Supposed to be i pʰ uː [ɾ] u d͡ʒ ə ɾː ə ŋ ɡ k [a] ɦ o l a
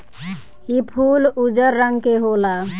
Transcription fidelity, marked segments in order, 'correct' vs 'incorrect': incorrect: l, incorrect: e

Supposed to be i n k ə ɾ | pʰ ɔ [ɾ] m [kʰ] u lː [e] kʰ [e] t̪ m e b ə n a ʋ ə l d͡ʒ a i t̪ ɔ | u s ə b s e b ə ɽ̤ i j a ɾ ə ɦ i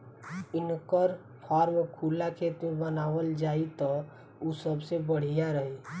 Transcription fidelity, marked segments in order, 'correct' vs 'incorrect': correct, correct, incorrect: a, correct

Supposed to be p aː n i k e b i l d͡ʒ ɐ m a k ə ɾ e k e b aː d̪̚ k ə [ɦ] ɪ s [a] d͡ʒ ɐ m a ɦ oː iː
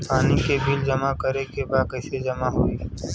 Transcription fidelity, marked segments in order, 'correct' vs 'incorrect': incorrect: none, incorrect: e

